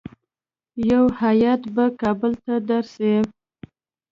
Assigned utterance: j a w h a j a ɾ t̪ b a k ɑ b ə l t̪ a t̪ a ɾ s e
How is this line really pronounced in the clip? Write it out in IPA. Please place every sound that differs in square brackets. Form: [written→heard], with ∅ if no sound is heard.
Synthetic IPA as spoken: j a w h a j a [ɾ→∅] t̪ b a k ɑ b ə l t̪ a [t̪→d̪] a ɾ s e